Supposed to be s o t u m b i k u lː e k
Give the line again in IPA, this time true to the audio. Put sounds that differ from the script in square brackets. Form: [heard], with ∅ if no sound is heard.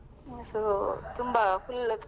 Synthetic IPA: s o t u m b [a] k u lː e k

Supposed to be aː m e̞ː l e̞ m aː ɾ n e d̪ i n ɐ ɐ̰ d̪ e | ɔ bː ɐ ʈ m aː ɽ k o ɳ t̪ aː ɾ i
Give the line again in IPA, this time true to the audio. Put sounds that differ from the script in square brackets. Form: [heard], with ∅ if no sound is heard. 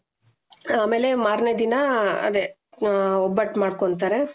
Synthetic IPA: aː m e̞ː l e̞ m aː ɾ n e d̪ i n ɐ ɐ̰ d̪ e | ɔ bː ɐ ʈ m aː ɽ k o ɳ t̪ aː ɾ [e]

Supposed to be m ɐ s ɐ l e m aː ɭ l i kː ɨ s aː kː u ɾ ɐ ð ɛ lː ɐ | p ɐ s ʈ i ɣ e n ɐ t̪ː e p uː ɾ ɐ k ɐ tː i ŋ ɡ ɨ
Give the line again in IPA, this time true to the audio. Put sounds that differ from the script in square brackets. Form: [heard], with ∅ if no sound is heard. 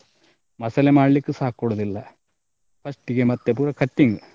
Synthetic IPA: m ɐ s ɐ l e m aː ɭ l i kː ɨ s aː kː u [ɽ] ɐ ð [i] lː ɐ | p ɐ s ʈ i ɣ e [m] ɐ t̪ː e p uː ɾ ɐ k ɐ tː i ŋ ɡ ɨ

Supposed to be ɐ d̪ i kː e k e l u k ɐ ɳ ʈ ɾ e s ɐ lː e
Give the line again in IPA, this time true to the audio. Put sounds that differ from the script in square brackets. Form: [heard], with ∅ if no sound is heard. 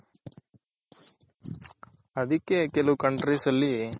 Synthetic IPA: ɐ d̪ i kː e k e l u k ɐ ɳ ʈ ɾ [i] s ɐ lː [i]

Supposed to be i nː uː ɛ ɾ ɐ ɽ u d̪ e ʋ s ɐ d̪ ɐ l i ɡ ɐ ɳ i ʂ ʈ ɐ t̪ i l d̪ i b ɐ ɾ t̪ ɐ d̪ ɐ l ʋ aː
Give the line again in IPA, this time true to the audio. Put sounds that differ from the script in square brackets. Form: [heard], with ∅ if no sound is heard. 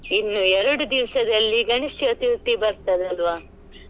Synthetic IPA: i nː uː ɛ ɾ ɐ ɽ u d̪ [i] ʋ s ɐ d̪ ɐ [lː] i ɡ ɐ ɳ i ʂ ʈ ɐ t̪ i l [t̪] i b ɐ ɾ t̪ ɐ d̪ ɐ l ʋ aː

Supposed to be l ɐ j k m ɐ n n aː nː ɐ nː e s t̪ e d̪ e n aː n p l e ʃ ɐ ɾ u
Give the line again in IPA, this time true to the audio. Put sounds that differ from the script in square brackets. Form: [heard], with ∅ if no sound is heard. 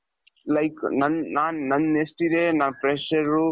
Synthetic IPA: l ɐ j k [n] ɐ n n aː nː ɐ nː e s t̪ [i] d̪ e n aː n p [ɾ] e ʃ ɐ ɾ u

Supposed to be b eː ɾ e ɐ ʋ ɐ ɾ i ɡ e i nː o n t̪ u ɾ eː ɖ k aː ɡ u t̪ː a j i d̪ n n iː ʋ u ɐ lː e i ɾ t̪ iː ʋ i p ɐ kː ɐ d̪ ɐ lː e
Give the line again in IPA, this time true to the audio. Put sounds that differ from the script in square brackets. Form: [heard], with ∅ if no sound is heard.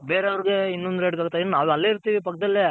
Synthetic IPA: b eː ɾ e ɐ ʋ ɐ ɾ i ɡ e i nː o n [d̪] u ɾ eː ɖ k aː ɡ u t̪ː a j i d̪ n n [aː] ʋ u ɐ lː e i ɾ t̪ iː ʋ i p ɐ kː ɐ d̪ ɐ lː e

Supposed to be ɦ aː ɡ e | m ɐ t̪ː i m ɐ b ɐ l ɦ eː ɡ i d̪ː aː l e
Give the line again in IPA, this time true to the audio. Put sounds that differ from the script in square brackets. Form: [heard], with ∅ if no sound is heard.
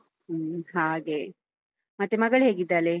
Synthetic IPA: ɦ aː ɡ e | m ɐ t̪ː [e] m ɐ [ɡ] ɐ [ɭ] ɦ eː ɡ i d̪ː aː l e

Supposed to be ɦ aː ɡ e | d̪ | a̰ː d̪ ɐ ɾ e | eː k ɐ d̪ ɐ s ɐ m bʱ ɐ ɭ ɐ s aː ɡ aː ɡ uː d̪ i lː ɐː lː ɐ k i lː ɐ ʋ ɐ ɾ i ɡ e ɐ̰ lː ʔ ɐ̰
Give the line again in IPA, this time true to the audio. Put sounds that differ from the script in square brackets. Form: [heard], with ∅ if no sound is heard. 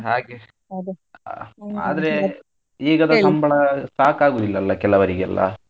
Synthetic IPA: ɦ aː ɡ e | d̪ | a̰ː d̪ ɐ ɾ e | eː [ɡ] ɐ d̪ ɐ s ɐ m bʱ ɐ ɭ ɐ s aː [k] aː ɡ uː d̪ i lː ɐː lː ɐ k [ɛ] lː ɐ ʋ ɐ ɾ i ɡ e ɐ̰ lː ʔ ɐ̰

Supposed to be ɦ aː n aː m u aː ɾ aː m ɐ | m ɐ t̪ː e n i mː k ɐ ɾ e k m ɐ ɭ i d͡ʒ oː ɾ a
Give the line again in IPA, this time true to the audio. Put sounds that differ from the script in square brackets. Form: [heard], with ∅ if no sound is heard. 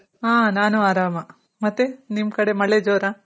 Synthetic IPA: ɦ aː n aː [n] u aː ɾ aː m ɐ | m ɐ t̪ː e n i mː k ɐ [ɽ] e [∅] m ɐ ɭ [e] d͡ʒ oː ɾ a

